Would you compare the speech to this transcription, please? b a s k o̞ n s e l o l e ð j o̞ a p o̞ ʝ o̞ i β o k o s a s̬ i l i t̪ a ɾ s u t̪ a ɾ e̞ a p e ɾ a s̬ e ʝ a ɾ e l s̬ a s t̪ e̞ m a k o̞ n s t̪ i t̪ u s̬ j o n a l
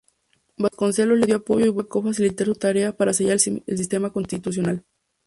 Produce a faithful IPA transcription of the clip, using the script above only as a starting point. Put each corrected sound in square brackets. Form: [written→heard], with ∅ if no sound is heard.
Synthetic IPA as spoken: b a s k o̞ n s e l o l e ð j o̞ a p o̞ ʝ o̞ i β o k o [s→f] a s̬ i l i t̪ a ɾ s u t̪ a ɾ e̞ a p [e→a] ɾ a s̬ e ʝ a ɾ e l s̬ [a→i] s t̪ e̞ m a k o̞ n s t̪ i t̪ u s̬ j o n a l